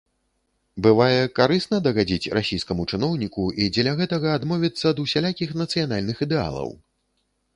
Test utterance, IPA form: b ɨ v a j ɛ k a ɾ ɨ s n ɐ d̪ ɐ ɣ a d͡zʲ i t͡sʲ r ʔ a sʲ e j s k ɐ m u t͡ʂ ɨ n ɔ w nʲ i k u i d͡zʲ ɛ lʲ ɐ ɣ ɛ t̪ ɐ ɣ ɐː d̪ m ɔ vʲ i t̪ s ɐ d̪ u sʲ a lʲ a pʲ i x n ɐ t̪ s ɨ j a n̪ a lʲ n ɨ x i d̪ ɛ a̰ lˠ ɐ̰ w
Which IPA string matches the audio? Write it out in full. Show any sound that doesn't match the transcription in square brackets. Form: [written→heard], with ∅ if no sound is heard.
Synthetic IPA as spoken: b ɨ v a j ɛ k a ɾ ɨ s n ɐ d̪ ɐ ɣ a d͡zʲ i t͡sʲ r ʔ a sʲ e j s k ɐ m u t͡ʂ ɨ n ɔ w nʲ i k u i d͡zʲ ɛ lʲ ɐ ɣ ɛ t̪ ɐ ɣ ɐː d̪ m ɔ vʲ i t̪ [s→sː] ɐ d̪ u sʲ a lʲ a [pʲ→kʲ] i x n ɐ t̪ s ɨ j a n̪ a lʲ n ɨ x i d̪ ɛ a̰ lˠ ɐ̰ w